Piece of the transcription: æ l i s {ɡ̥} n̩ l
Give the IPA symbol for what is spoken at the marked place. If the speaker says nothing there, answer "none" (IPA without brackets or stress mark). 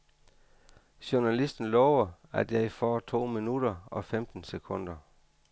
d̥